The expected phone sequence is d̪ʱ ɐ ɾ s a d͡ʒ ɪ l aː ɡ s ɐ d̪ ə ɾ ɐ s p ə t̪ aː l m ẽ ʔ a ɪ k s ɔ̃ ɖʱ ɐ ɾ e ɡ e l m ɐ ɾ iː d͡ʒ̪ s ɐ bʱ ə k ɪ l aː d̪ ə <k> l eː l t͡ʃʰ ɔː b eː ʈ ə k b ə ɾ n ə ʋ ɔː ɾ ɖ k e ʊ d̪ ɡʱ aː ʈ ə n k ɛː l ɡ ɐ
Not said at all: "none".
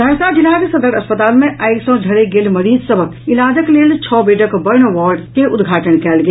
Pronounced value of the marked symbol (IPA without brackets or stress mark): k